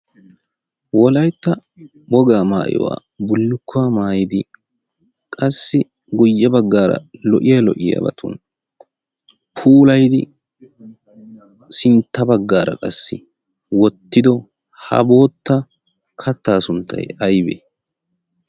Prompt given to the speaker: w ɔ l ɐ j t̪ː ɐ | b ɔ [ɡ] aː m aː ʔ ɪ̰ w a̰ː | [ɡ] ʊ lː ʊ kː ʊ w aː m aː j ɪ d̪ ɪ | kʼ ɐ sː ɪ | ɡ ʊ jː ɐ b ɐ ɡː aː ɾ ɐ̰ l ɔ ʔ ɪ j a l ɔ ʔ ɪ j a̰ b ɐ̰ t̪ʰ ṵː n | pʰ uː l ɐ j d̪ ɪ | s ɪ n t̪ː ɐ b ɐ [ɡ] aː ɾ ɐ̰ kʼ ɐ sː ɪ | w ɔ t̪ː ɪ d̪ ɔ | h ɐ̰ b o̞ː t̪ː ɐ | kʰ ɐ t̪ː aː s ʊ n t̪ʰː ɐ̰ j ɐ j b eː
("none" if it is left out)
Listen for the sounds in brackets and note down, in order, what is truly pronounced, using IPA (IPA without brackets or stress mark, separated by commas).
ɡ, b, ɡː